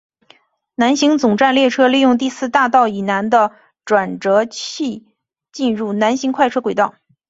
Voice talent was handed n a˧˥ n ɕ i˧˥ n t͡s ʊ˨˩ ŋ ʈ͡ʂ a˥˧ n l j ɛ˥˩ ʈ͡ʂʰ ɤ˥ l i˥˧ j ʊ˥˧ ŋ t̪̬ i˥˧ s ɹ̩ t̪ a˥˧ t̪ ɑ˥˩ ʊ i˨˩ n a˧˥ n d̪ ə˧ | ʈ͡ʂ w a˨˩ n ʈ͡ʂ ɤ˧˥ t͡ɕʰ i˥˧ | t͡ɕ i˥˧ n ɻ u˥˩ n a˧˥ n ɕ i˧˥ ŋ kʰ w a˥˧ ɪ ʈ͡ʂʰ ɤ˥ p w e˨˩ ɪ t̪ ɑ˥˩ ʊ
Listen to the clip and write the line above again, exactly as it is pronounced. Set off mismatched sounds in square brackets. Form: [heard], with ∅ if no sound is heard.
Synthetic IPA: n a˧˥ n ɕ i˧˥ [ŋ] t͡s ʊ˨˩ ŋ ʈ͡ʂ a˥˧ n l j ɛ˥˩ ʈ͡ʂʰ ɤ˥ l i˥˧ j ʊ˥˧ ŋ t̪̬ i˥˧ s ɹ̩ t̪ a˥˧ t̪ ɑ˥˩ ʊ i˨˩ n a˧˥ n d̪ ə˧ | ʈ͡ʂ w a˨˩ n ʈ͡ʂ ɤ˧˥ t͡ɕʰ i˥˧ | t͡ɕ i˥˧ n ɻ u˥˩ n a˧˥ n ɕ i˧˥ ŋ kʰ w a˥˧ ɪ ʈ͡ʂʰ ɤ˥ [k] w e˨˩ ɪ t̪ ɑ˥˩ ʊ